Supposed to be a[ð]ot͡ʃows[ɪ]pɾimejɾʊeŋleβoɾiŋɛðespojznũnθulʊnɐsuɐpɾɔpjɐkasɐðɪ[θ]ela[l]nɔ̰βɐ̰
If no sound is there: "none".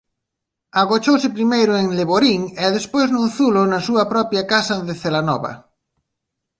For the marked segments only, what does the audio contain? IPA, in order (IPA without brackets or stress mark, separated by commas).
ɣ, ɪ, θ, none